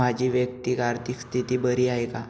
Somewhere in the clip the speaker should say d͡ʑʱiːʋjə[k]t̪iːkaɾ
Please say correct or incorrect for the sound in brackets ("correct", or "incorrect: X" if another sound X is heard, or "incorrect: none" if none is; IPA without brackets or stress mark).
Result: correct